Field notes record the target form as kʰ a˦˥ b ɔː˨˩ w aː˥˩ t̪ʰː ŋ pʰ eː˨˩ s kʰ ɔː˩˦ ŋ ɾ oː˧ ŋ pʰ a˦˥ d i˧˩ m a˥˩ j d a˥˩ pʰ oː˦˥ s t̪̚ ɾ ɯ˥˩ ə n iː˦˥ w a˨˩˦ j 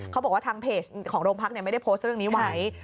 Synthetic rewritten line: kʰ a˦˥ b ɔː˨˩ w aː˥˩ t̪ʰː ŋ pʰ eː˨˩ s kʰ ɔː˩˦ ŋ ɾ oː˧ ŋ pʰ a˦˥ n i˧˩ m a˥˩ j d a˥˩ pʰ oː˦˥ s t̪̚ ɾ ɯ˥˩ ə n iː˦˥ w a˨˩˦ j

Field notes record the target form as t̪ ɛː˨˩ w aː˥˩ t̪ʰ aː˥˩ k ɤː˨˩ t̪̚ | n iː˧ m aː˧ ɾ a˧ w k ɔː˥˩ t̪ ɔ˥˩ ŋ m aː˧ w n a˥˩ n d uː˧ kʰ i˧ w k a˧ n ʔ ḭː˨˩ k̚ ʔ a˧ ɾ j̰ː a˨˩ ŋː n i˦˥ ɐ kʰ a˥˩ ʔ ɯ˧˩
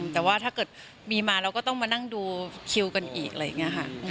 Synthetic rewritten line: t̪ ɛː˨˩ w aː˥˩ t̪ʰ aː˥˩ k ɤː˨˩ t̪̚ | m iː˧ m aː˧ ɾ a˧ w k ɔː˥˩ t̪ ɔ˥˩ ŋ m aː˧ n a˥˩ ŋ d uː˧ kʰ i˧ w k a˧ n ʔ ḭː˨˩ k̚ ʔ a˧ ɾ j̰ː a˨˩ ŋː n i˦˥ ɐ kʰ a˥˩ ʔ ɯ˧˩

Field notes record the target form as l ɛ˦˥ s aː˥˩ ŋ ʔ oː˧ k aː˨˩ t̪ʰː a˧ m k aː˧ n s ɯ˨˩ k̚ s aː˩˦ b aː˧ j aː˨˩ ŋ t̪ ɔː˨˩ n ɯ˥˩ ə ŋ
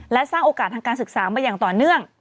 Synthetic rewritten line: l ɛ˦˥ s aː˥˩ ŋ ʔ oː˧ k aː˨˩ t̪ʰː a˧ ŋ k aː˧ n s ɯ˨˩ k̚ s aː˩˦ m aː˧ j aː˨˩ ŋ t̪ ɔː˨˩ n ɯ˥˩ ə ŋ

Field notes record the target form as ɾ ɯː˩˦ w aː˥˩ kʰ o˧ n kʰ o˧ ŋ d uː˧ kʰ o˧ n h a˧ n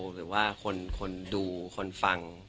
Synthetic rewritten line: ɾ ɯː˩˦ w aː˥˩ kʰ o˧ n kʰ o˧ n d uː˧ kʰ o˧ n f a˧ ŋ

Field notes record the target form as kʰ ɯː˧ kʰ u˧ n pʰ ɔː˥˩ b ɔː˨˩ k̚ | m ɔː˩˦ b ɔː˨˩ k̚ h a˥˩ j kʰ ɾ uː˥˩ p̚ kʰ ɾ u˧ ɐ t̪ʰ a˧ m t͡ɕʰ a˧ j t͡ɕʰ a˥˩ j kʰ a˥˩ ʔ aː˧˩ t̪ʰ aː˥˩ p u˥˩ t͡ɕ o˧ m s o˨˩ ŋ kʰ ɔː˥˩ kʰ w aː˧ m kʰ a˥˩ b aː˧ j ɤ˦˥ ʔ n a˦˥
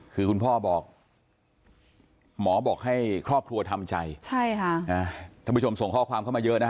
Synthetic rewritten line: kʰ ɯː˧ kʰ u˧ n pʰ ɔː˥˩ b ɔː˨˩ k̚ | m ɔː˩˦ b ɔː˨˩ k̚ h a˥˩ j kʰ ɾ ɔː˥˩ p̚ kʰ ɾ u˧ ɐ t̪ʰ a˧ m t͡ɕ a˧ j t͡ɕʰ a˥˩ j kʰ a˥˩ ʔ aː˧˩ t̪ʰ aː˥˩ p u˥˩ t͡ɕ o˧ m s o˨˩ ŋ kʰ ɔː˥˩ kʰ w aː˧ m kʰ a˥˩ m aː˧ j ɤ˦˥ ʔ n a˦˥

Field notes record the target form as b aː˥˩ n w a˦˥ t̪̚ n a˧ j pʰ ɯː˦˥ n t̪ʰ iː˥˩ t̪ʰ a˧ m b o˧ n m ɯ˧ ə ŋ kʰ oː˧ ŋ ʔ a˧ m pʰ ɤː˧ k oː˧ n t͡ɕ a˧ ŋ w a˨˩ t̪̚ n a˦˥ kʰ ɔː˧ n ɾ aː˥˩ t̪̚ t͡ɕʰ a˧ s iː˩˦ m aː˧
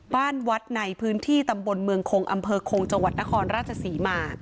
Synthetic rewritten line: b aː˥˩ n w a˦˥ t̪̚ n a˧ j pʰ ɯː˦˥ n t̪ʰ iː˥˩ t̪ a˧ m b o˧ n m ɯ˧ ə ŋ kʰ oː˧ ŋ ʔ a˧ m pʰ ɤː˧ kʰ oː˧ ŋ t͡ɕ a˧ ŋ w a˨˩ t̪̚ n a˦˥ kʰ ɔː˧ n ɾ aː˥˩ t̪̚ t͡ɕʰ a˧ s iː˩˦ m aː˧

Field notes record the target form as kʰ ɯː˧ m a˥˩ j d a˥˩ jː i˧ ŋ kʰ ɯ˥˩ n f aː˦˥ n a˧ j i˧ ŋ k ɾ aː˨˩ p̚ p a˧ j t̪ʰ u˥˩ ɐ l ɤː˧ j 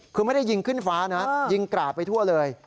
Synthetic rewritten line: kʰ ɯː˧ m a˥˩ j d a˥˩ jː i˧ ŋ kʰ ɯ˥˩ n f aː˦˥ n a˦˥ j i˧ ŋ k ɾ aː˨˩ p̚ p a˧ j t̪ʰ u˥˩ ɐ l ɤː˧ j

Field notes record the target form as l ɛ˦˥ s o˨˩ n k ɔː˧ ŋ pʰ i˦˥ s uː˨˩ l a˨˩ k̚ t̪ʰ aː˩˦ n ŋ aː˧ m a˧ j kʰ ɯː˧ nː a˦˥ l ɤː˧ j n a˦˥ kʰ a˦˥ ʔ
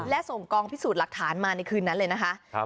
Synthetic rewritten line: l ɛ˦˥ s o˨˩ ŋ k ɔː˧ ŋ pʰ i˦˥ s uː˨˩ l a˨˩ k̚ t̪ʰ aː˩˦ n m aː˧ n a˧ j kʰ ɯː˧ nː a˦˥ l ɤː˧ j n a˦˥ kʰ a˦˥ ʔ

